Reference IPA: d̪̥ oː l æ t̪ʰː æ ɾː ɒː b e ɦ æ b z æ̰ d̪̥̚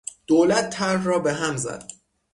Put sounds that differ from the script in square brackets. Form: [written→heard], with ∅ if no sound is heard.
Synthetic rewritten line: d̪̥ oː l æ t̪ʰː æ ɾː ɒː b e ɦ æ [b→m] z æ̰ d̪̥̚